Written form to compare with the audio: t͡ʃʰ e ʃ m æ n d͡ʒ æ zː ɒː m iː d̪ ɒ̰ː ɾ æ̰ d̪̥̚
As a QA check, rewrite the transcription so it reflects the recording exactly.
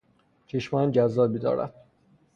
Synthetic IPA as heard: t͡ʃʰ e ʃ m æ n d͡ʒ æ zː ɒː b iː d̪ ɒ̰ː ɾ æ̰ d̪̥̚